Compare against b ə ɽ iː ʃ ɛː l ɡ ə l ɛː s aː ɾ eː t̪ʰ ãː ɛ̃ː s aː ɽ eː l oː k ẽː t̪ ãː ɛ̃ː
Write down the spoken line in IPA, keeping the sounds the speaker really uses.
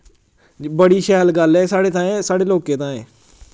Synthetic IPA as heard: b ə ɽ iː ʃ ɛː l ɡ ə l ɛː s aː ɽ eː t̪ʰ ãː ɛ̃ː s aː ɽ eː l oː k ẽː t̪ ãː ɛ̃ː

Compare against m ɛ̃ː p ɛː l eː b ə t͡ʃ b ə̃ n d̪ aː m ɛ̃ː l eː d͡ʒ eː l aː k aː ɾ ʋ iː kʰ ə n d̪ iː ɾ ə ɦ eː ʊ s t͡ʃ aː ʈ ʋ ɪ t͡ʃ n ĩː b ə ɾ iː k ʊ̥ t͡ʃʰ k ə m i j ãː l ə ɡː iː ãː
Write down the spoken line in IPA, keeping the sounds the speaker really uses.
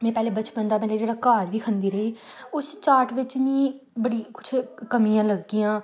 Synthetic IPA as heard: m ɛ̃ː p ɛː l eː b ə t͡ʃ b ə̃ n d̪ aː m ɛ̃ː l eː d͡ʒ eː ɽ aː k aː ɾ ʋ iː kʰ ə n d̪ iː ɾ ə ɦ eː ʊ s t͡ʃ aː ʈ ʋ ɪ t͡ʃ n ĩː b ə ɽ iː k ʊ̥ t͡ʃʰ k ə m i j ãː l ə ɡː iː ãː

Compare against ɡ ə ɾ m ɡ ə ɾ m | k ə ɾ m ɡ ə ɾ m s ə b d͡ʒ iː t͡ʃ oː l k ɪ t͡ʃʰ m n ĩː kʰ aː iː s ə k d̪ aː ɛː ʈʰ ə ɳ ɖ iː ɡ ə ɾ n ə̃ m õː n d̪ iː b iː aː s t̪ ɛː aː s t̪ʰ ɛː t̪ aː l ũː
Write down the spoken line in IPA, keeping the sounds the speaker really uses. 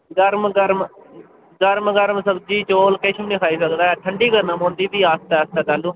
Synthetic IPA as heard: ɡ ə ɾ m ɡ ə ɾ m | ɡ ə ɾ m ɡ ə ɾ m s ə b d͡ʒ iː t͡ʃ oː l k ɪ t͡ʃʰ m n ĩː kʰ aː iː s ə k d̪ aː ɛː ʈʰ ə ɳ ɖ iː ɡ ə ɾ n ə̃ m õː n d̪ iː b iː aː s t̪ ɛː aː s t̪ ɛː t̪ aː l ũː

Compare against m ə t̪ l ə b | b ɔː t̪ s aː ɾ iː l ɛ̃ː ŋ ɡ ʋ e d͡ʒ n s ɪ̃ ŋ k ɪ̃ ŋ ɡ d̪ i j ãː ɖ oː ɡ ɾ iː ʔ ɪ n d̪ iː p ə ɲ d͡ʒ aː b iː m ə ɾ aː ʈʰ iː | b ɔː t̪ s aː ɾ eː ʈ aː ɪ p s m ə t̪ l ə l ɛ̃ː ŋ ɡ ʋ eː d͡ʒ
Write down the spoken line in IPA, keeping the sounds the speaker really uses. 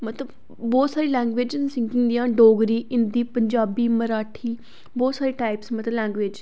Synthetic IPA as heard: m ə t̪ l ə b | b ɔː t̪ s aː ɾ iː l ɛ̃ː ŋ ɡ ʋ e d͡ʒ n s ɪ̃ ŋ k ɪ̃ ŋ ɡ d̪ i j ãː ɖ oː ɡ ɾ iː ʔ ɪ n d̪ iː p ə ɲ d͡ʒ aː b iː m ə ɾ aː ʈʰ iː | b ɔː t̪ s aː ɾ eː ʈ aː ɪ p s m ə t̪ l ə l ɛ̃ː ŋ ɡ ʋ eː d͡ʒ

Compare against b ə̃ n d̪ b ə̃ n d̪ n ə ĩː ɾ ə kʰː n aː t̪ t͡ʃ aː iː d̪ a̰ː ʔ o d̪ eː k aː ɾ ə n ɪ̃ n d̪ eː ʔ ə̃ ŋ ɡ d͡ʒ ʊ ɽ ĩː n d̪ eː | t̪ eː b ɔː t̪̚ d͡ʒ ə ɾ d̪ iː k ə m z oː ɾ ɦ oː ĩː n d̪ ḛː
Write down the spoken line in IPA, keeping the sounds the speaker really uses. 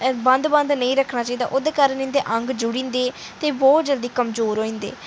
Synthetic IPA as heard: b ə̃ n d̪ b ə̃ n d̪ n ə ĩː ɾ ə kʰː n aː t͡ʃ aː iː d̪ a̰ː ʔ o d̪ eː k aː ɾ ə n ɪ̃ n d̪ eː ʔ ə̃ ŋ ɡ d͡ʒ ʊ ɽ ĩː n d̪ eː | t̪ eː b ɔː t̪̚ d͡ʒ ə l d̪ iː k ə m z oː ɾ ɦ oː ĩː n d̪ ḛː

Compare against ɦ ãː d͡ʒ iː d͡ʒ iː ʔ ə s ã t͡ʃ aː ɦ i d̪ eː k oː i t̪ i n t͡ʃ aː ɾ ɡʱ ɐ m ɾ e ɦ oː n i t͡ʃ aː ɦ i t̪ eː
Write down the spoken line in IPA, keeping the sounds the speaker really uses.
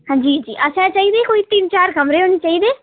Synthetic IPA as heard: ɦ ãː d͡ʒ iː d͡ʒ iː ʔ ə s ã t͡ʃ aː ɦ i d̪ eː k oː i t̪ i n t͡ʃ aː ɾ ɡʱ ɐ m ɾ e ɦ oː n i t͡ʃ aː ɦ i d̪ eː

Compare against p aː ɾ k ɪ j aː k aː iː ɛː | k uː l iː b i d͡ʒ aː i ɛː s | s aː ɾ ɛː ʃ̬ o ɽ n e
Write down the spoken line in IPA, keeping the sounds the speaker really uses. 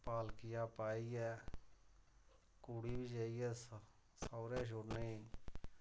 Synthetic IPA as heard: p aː l k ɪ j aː p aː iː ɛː | k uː ɽ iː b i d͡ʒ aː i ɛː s | s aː ɾ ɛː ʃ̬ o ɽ n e

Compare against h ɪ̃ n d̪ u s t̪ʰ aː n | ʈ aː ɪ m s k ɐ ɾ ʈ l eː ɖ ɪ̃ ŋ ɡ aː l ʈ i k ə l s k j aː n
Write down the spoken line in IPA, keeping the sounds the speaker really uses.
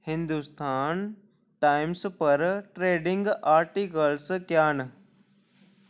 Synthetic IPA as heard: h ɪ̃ n d̪ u s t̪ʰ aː n | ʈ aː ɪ m s p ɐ ɾ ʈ ɾ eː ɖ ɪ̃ ŋ ɡ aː ɾ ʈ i k ə l s k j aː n

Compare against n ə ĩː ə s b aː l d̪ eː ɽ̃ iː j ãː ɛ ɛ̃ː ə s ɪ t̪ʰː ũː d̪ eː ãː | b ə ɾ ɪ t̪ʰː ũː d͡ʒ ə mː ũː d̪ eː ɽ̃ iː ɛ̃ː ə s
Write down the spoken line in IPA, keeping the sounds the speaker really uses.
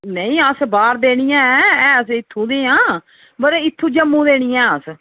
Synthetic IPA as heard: n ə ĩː ə s b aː ɾ d̪ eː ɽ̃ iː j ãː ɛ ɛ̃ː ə s ɪ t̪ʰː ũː d̪ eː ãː | b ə ɾ ɪ t̪ʰː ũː d͡ʒ ə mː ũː d̪ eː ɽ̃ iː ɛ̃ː ə s

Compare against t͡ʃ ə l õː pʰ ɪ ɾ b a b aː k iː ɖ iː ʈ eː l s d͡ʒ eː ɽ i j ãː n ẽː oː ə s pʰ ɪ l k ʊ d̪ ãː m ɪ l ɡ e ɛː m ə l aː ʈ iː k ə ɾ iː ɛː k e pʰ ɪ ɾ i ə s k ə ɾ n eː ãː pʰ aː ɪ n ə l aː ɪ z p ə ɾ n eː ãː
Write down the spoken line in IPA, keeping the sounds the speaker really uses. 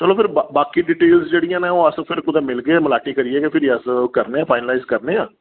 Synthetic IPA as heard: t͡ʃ ə l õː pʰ ɪ ɾ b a b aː k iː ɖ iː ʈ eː l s d͡ʒ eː ɽ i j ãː n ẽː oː ə s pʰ ɪ ɾ k ʊ d̪ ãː m ɪ l ɡ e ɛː m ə l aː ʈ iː k ə ɾ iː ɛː k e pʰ ɪ ɾ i ə s k ə ɾ n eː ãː pʰ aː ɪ n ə l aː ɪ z k ə ɾ n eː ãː

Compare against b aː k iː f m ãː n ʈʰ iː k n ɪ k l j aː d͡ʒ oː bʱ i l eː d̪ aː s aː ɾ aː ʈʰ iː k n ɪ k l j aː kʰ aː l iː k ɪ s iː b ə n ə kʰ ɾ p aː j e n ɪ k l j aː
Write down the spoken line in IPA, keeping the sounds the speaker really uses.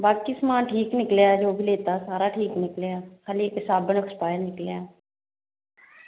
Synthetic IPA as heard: b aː k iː s m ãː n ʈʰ iː k n ɪ k l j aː d͡ʒ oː bʱ i l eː t̪ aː s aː ɾ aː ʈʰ iː k n ɪ k l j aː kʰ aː l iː k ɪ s aː b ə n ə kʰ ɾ p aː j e n ɪ k l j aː

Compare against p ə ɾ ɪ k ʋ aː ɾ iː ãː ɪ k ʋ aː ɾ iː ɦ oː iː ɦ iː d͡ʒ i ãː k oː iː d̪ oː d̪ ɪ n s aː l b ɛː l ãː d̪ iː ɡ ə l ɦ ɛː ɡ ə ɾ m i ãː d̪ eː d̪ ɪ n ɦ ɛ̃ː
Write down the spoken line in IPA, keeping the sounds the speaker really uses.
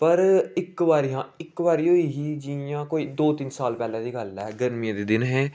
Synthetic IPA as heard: p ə ɾ ɪ k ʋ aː ɾ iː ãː ɪ k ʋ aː ɾ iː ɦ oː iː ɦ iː d͡ʒ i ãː k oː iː d̪ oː t̪ ɪ n s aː l p ɛː l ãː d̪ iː ɡ ə l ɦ ɛː ɡ ə ɾ m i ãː d̪ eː d̪ ɪ n ɦ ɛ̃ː

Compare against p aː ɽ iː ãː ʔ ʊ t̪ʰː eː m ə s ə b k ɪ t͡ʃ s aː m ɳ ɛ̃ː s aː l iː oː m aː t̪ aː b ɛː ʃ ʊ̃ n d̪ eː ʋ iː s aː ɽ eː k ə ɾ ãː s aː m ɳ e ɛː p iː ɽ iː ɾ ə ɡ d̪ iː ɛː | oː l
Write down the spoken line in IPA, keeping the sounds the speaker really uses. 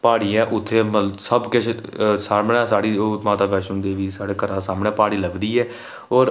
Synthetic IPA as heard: p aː ɽ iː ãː ʔ ʊ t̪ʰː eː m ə s ə b k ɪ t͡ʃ s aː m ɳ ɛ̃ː s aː ɽ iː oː m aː t̪ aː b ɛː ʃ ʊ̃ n d̪ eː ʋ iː s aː ɽ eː k ə ɾ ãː s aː m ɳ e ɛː p aː ɽ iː l ə ɡ d̪ iː ɛː | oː ɾ

